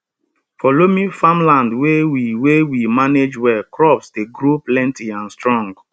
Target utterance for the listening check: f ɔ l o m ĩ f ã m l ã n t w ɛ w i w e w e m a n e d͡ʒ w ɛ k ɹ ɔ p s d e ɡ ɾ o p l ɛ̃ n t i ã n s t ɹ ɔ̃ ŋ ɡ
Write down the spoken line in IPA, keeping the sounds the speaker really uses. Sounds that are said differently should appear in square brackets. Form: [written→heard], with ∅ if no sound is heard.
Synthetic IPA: f ɔ l o m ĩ f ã m l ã n [t→d] w [ɛ→e] w i w e w [e→i] m a n e d͡ʒ w ɛ k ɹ ɔ p s d e ɡ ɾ o p l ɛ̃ n t i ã n s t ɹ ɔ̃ ŋ ɡ